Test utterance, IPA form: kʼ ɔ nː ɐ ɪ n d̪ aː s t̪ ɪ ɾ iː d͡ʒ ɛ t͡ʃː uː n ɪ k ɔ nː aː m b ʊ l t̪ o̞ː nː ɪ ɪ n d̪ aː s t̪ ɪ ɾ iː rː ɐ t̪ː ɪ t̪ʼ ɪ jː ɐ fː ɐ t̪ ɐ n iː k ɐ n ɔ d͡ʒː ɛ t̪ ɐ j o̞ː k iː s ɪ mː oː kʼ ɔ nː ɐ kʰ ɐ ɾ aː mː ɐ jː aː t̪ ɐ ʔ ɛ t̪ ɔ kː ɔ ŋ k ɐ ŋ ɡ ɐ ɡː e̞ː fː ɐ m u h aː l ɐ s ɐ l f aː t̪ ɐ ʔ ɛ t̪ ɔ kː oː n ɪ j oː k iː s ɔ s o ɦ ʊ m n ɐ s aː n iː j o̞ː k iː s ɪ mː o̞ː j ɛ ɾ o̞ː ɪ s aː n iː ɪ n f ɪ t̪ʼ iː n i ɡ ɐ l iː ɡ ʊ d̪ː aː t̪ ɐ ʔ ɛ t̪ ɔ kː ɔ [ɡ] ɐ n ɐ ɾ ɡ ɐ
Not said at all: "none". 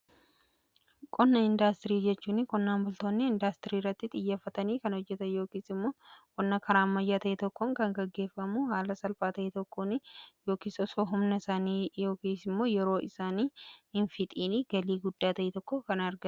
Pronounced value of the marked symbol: k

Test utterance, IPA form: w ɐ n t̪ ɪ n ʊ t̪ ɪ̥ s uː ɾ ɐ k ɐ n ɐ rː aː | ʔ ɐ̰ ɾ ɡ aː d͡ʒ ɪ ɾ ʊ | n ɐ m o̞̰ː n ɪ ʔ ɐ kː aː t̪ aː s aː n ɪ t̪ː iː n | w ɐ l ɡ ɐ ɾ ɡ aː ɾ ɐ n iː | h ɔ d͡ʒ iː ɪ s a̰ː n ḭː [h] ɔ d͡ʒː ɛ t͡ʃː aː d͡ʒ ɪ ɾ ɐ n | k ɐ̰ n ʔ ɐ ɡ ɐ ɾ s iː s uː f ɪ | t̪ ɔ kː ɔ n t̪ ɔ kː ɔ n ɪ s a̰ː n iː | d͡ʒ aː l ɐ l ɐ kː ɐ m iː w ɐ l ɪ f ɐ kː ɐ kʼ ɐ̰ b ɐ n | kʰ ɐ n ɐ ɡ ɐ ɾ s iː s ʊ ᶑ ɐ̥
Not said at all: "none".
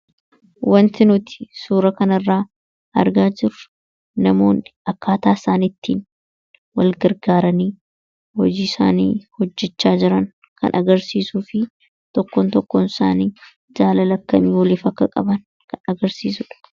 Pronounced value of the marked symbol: h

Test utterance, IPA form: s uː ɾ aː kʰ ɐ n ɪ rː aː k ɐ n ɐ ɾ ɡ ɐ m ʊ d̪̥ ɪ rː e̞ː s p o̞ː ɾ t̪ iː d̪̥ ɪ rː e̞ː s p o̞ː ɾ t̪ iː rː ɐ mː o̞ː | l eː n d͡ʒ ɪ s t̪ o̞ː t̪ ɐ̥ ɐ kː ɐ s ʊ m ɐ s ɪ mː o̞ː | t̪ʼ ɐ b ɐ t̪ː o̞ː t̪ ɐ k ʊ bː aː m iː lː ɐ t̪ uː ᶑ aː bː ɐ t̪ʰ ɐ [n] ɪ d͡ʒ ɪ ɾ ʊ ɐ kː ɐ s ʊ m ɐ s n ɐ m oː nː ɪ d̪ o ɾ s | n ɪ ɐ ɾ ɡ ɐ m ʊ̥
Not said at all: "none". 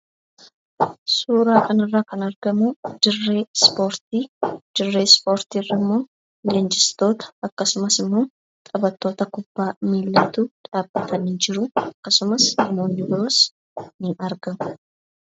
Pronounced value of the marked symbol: n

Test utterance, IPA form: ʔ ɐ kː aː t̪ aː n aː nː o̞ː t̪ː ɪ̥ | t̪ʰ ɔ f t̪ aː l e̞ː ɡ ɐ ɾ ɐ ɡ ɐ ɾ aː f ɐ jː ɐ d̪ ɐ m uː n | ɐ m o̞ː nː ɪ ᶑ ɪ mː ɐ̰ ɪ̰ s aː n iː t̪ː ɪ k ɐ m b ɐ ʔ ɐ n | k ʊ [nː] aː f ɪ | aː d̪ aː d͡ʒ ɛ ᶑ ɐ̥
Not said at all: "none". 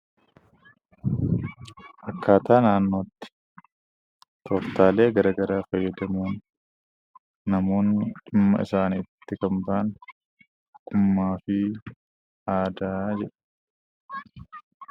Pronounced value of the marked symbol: mː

